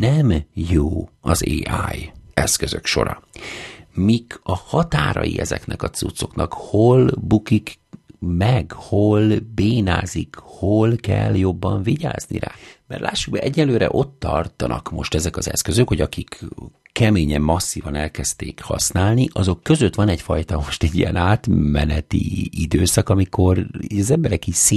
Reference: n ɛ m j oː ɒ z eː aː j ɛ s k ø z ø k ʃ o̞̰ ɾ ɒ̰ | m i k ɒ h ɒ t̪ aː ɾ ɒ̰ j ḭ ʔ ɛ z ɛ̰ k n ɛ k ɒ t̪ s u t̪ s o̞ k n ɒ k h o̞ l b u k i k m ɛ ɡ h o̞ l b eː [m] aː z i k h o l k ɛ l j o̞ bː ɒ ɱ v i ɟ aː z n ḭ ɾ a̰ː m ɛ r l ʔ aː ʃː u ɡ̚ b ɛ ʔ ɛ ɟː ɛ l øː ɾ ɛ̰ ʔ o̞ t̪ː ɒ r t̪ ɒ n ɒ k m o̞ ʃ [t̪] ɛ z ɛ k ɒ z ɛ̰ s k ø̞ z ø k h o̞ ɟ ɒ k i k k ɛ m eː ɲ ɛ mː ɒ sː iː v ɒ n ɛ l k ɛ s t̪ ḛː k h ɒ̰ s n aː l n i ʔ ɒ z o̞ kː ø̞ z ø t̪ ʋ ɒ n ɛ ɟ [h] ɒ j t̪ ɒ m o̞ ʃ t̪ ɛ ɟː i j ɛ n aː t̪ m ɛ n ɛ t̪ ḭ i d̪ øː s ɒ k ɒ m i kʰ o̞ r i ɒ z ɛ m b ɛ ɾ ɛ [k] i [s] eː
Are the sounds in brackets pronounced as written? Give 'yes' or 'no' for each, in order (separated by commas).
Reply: no, yes, no, yes, yes